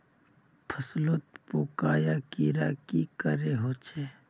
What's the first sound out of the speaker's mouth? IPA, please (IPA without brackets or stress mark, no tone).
pʰ